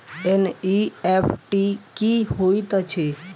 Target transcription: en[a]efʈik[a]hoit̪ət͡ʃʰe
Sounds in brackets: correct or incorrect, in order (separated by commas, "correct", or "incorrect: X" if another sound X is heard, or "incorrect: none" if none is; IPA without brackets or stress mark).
incorrect: i, incorrect: i